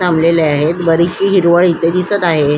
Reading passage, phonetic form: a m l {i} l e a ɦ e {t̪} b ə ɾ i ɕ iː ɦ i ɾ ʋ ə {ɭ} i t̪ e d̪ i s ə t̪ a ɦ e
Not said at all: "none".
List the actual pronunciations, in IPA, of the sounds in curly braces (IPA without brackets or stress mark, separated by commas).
e, t̪, ɭ